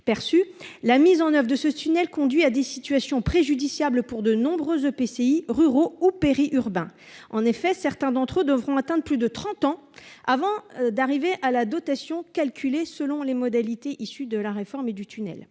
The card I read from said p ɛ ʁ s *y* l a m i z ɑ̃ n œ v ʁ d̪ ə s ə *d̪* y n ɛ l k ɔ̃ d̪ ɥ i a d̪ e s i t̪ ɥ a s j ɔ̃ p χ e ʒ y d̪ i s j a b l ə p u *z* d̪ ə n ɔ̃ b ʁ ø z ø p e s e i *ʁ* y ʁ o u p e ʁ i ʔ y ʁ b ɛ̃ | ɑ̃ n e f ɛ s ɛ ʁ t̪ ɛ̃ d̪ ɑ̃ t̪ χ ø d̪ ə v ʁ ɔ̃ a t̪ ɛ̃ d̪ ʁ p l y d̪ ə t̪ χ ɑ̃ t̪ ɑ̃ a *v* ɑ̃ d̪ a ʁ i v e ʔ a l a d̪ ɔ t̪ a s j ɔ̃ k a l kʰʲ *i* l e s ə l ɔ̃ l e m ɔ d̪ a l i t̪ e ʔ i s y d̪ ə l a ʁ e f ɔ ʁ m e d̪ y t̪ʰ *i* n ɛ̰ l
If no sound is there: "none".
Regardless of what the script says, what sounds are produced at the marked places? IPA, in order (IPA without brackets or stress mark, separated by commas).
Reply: y, t̪, ʁ, ʁ, v, y, y